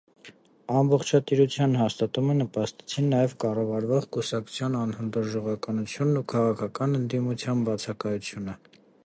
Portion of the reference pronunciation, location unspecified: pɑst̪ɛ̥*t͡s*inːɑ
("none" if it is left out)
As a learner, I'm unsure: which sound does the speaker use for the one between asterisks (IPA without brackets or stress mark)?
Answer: t͡sʰ